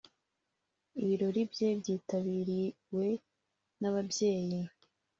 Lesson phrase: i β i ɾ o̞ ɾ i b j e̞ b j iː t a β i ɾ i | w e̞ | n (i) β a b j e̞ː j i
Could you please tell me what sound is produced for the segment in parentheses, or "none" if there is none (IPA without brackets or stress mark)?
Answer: a